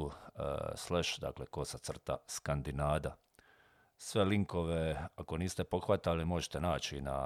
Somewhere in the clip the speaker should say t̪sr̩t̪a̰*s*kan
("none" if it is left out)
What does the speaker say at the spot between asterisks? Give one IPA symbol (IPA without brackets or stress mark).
s